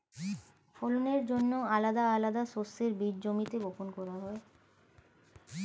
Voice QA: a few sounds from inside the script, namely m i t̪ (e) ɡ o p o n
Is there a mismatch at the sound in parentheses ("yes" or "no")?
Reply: no